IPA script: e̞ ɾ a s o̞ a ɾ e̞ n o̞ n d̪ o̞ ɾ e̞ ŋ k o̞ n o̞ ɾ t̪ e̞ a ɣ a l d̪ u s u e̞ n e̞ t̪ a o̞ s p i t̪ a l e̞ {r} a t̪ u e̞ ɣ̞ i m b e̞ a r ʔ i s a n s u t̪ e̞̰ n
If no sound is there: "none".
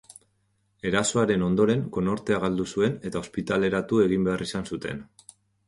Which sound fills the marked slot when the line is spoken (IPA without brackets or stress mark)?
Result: ɾ